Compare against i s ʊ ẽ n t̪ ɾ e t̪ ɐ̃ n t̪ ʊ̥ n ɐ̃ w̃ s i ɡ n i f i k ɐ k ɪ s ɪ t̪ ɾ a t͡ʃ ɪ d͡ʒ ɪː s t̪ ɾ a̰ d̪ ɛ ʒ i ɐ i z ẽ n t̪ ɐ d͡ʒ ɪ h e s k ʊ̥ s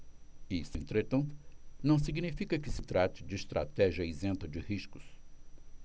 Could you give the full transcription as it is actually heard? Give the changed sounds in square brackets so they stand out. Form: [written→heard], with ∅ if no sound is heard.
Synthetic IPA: i s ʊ ẽ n t̪ ɾ e t̪ ɐ̃ n t̪ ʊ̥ n ɐ̃ w̃ s i ɡ n i f i k ɐ k ɪ s ɪ t̪ ɾ a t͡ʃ ɪ d͡ʒ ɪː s t̪ ɾ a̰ [d̪→t̪] ɛ ʒ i ɐ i z ẽ n t̪ ɐ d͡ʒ ɪ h [e→i] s k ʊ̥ s